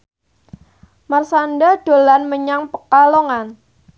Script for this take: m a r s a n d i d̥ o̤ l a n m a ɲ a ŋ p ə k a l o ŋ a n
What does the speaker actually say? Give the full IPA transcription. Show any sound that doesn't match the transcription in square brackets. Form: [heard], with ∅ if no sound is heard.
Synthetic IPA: m a r s a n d [a] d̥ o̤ l a n m [ə] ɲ a ŋ p ə k a l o ŋ a n